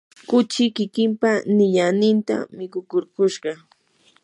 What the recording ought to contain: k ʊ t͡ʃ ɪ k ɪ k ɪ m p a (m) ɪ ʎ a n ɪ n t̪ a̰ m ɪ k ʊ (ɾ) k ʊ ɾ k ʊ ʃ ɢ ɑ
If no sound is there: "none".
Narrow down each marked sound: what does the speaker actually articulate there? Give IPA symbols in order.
n, none

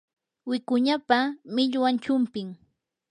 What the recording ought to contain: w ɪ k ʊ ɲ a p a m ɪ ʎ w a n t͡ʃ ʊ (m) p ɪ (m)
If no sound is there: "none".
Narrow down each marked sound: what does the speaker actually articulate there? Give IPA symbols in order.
m, ŋ

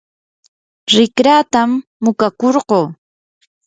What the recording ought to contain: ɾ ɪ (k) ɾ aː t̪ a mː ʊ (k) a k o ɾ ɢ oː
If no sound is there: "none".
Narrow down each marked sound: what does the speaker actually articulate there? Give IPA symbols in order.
k, k

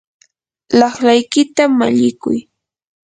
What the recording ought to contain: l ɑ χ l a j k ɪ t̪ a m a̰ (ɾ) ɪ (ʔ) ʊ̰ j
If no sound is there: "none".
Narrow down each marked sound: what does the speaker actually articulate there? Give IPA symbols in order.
ʎ, k

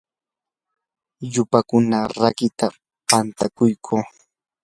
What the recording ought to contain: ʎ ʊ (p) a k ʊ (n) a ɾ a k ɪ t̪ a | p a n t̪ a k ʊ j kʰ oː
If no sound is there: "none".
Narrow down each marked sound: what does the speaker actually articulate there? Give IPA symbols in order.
p, n

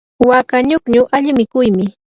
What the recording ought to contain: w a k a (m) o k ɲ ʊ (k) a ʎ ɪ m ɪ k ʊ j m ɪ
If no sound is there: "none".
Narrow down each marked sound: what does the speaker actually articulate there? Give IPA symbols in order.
ɲ, ʔ

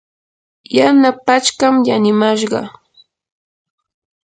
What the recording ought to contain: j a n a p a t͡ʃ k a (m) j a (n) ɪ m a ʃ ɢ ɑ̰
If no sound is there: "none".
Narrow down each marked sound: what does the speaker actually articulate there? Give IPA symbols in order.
m, n

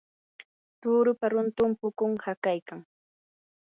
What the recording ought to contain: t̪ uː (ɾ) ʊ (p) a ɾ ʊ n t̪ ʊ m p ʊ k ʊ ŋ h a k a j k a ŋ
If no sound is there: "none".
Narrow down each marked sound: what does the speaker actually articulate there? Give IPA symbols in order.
ɾ, p

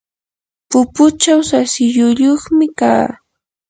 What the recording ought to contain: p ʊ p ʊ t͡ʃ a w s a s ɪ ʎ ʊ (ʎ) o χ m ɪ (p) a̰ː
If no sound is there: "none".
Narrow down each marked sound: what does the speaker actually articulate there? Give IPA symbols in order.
ʎ, k

